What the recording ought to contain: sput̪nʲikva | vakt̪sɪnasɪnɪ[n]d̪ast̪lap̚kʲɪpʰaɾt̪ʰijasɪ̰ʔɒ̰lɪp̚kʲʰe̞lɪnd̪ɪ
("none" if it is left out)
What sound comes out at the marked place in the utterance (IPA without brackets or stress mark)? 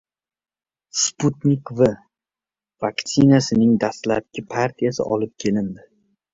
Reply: ŋ